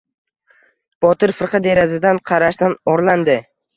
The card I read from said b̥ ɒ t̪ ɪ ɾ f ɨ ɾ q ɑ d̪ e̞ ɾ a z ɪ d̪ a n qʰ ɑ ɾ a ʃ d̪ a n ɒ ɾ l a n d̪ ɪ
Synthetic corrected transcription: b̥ ɒ t̪ ɪ ɾ f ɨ ɾ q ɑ d̪ e̞ ɾ a z ɪ d̪ a n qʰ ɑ ɾ a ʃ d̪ a n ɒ ɾ l a n d̪ ɪ